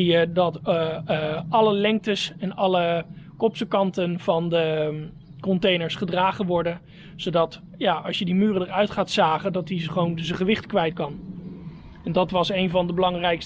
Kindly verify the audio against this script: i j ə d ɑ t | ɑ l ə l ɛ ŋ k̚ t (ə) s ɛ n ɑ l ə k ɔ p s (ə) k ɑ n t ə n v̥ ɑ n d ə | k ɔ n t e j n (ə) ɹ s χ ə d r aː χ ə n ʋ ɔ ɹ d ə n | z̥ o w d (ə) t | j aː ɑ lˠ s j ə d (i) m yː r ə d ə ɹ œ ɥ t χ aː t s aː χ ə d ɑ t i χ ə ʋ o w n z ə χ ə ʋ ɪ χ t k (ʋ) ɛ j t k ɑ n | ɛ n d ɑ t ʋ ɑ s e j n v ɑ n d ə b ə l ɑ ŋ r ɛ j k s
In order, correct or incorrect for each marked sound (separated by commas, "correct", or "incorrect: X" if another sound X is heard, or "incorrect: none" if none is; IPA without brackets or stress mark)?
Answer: correct, correct, correct, incorrect: ɑ, correct, correct